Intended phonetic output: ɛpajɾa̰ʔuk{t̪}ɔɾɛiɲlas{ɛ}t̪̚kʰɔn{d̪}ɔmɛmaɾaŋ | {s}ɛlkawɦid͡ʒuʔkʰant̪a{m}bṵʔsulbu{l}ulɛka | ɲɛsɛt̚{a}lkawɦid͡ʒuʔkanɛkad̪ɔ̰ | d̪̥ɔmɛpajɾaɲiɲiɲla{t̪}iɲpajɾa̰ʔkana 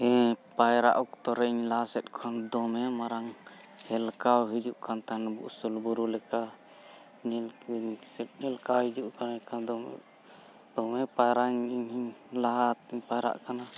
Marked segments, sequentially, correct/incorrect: correct, correct, correct, incorrect: h, incorrect: n, incorrect: ɾ, incorrect: ɛ, correct

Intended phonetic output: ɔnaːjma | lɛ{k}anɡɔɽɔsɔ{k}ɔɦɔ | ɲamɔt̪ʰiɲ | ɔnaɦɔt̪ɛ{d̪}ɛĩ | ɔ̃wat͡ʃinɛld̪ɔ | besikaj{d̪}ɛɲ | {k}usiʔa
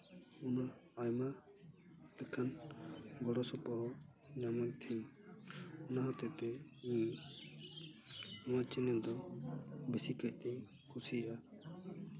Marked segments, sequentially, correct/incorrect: incorrect: kʰ, incorrect: p, incorrect: t̪, incorrect: t̪, incorrect: kʰ

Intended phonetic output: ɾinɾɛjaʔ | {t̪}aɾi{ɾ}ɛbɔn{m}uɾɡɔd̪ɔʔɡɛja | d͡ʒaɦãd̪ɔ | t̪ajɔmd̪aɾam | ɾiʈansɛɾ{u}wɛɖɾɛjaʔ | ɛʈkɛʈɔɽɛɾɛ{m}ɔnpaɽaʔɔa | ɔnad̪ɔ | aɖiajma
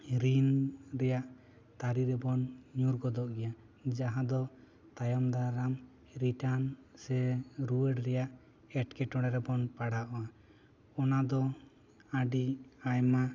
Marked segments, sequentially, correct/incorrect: correct, correct, incorrect: ɲ, correct, incorrect: b

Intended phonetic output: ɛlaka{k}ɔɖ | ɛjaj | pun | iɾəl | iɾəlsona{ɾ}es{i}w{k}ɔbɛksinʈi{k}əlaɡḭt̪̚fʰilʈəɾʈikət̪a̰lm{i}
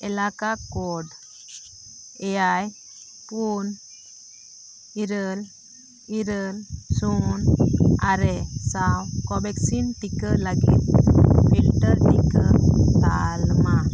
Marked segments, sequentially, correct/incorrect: correct, correct, incorrect: a, correct, correct, incorrect: a

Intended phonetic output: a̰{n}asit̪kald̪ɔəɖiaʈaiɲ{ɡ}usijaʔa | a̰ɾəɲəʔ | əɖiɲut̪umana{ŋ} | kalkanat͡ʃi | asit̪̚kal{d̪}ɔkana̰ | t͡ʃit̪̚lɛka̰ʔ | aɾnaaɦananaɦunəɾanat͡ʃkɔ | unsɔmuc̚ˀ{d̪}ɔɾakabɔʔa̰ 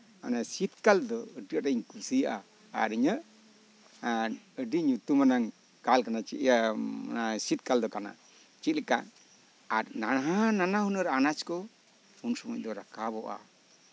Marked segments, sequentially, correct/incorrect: correct, incorrect: k, correct, correct, correct

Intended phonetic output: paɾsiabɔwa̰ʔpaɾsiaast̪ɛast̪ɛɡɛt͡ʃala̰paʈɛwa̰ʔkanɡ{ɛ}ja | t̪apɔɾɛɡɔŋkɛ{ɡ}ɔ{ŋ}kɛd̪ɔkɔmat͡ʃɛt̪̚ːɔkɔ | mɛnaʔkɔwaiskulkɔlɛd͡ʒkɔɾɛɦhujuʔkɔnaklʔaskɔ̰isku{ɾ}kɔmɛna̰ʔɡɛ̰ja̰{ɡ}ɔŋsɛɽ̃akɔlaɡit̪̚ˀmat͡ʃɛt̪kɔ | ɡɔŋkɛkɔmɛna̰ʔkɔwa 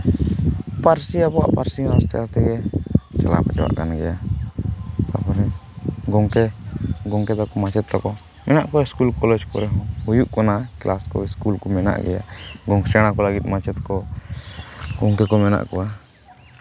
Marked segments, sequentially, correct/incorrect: correct, correct, correct, incorrect: l, correct

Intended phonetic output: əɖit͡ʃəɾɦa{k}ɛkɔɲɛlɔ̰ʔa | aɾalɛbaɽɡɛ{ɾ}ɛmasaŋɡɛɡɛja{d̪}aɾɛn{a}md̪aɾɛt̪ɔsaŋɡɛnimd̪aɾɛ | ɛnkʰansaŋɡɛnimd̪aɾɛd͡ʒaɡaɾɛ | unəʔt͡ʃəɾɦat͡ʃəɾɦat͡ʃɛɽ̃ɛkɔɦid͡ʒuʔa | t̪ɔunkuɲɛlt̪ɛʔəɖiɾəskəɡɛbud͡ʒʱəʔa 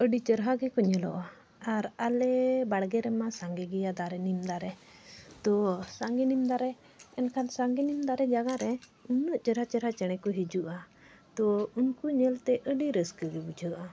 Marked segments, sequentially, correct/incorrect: incorrect: ɡ, correct, correct, incorrect: i

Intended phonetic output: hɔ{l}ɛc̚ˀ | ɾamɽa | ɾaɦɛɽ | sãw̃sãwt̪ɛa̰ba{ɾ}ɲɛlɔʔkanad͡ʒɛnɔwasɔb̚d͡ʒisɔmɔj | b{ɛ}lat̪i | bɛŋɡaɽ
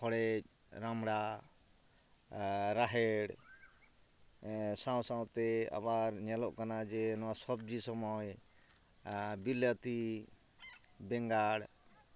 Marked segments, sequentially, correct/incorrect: incorrect: ɽ, correct, incorrect: i

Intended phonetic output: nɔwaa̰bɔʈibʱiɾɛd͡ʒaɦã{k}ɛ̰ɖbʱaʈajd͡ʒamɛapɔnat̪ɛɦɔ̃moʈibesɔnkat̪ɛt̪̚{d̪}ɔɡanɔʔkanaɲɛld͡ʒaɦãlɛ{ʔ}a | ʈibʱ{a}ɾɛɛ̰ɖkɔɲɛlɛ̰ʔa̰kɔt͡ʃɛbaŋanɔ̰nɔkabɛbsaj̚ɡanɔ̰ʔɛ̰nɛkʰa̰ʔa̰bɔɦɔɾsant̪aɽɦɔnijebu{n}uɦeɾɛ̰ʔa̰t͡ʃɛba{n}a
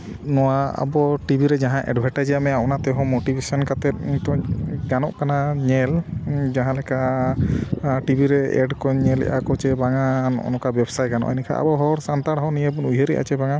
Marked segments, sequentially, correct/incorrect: incorrect: ʔ, incorrect: t̪, incorrect: k, incorrect: i, correct, incorrect: ŋ

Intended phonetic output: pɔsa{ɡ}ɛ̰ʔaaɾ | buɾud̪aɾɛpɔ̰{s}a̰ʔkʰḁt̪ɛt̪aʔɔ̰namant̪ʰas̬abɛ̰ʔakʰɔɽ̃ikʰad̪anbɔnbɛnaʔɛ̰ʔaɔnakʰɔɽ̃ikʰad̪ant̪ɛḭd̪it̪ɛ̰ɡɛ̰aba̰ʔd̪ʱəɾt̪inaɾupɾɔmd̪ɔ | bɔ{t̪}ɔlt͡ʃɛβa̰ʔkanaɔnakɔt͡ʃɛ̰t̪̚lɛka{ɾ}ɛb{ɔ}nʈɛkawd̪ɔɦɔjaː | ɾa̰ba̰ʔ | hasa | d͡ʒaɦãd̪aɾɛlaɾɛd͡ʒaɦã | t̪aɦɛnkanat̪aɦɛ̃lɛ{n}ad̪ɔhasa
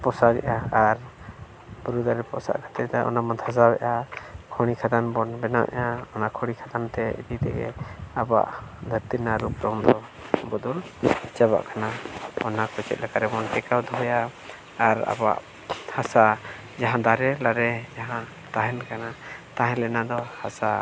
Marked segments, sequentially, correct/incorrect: correct, correct, incorrect: d̪, correct, correct, correct

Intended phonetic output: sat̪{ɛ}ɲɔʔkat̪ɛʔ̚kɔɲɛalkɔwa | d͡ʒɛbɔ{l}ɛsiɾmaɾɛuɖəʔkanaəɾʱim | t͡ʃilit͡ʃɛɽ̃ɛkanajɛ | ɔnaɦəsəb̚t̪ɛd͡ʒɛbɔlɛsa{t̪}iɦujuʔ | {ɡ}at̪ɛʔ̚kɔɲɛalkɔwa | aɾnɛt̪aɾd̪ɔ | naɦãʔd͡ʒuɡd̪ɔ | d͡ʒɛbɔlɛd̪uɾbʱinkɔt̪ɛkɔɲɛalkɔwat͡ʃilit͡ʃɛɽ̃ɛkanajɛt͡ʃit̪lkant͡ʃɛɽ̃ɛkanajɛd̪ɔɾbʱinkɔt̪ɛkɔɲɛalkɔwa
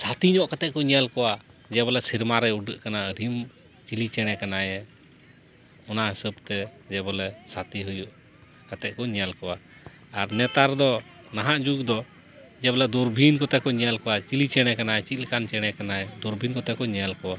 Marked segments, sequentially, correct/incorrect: incorrect: i, correct, correct, incorrect: k

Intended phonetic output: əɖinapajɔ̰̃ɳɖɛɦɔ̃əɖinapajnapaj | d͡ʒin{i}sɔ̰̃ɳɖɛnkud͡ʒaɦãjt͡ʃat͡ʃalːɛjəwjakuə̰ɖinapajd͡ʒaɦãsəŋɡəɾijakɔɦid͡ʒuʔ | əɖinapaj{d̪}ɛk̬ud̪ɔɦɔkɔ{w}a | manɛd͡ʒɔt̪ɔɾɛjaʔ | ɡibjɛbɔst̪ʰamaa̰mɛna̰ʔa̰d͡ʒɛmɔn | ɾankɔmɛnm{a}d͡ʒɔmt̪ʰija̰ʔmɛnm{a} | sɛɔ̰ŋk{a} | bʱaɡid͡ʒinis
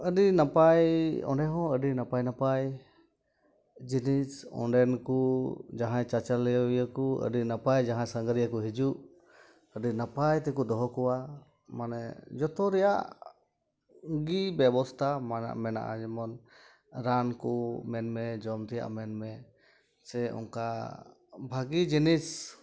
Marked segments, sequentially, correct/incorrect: correct, incorrect: t̪, correct, incorrect: ɛ, incorrect: ɛ, correct

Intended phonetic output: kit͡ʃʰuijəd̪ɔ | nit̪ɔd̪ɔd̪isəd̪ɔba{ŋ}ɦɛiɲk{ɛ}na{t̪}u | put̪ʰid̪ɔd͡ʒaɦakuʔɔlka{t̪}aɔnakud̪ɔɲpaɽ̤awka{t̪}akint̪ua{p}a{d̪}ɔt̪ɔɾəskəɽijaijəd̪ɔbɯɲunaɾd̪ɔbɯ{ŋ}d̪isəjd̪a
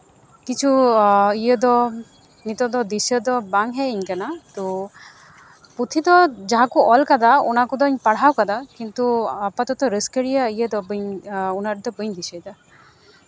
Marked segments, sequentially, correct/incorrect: correct, incorrect: a, correct, incorrect: d̪, incorrect: d̪, correct, incorrect: t̪, incorrect: ɲ

